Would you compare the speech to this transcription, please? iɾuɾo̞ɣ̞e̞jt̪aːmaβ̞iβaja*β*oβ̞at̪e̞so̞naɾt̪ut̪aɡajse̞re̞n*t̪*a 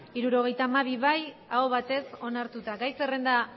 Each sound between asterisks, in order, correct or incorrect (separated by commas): incorrect, incorrect